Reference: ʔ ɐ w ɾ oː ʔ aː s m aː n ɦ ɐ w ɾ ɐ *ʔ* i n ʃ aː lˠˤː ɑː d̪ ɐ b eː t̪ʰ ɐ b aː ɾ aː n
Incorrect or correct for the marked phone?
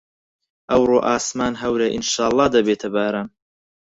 correct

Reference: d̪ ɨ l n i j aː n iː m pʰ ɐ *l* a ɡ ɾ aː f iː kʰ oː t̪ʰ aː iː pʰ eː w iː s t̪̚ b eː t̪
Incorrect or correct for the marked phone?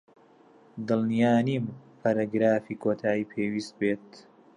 incorrect: ɾ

